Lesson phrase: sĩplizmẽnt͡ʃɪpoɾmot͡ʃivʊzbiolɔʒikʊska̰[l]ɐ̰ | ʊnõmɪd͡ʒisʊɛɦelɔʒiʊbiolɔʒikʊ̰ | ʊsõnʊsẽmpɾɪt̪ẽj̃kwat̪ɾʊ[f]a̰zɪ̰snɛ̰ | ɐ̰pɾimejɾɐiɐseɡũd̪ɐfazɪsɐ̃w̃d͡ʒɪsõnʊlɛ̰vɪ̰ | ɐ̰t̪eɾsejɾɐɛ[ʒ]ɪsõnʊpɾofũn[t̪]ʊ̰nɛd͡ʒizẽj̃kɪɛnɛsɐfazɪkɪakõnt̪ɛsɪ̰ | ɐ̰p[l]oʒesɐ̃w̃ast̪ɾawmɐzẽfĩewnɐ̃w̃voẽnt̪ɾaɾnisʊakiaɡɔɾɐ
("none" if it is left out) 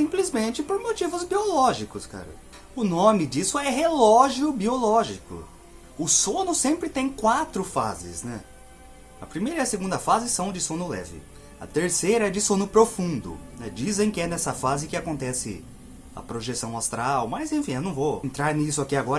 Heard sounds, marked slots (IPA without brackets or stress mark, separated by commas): ɾ, f, d͡ʒ, d̪, ɾ